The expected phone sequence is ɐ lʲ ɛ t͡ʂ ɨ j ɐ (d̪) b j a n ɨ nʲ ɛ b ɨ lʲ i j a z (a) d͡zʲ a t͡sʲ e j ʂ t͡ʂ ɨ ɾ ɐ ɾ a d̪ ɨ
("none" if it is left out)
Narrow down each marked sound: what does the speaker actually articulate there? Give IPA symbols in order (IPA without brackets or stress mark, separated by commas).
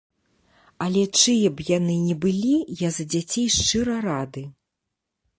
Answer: none, ɐ